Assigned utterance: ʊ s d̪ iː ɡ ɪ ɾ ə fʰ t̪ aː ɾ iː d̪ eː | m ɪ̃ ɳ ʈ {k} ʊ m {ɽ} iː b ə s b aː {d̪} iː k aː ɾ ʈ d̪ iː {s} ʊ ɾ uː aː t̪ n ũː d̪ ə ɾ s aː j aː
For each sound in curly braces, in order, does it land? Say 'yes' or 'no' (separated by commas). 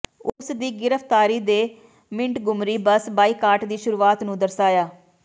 no, no, no, no